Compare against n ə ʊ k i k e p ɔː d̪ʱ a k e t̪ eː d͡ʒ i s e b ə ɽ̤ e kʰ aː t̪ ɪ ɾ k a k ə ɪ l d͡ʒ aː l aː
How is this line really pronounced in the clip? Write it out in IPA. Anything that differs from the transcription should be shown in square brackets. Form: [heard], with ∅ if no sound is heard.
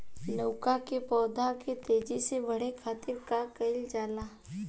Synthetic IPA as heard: n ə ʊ k [a] k e p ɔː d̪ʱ a k e t̪ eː d͡ʒ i s e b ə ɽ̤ e kʰ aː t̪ ɪ ɾ k a k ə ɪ l d͡ʒ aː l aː